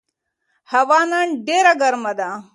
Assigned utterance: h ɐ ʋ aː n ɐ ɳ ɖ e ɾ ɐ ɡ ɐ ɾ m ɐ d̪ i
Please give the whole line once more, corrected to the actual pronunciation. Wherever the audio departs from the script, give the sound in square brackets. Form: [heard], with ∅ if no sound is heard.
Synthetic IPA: h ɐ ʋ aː n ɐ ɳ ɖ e ɾ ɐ ɡ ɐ ɾ m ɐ d̪ [a]